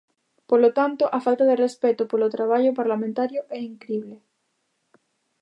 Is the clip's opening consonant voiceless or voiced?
voiceless